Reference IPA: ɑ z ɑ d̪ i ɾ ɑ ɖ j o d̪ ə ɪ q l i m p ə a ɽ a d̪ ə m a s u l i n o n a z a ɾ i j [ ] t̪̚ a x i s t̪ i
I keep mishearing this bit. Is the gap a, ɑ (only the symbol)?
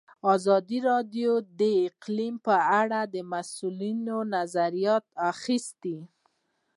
ɑ